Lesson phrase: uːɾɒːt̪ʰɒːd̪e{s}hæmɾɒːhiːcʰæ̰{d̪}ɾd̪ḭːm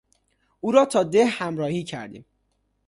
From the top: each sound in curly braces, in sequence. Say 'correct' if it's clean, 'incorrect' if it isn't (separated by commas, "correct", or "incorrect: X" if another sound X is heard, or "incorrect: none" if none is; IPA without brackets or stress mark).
incorrect: h, incorrect: none